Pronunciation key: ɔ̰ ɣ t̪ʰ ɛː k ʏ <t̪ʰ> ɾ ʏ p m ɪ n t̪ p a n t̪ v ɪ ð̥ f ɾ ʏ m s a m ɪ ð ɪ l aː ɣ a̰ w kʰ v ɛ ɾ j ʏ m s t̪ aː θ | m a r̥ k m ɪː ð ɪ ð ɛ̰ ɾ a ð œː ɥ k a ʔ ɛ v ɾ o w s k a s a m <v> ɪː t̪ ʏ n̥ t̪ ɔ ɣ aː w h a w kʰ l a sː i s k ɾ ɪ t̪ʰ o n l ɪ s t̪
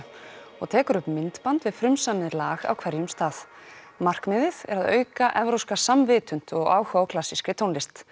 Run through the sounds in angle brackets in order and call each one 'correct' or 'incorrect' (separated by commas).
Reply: incorrect, correct